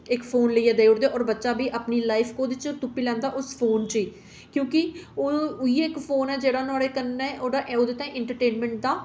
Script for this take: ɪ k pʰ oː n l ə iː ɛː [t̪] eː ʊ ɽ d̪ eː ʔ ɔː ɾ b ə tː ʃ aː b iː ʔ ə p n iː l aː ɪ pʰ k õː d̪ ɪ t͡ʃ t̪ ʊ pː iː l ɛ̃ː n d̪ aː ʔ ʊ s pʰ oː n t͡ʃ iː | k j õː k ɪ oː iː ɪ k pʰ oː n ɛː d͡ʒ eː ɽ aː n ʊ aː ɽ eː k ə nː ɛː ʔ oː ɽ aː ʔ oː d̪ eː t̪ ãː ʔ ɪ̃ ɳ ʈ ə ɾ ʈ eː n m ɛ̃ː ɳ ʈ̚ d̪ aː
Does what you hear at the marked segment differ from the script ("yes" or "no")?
yes